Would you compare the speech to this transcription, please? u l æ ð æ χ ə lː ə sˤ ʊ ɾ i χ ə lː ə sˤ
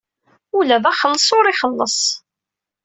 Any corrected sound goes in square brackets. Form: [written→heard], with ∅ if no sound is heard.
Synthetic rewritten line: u l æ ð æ χ ə lː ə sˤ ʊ ɾ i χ ə lː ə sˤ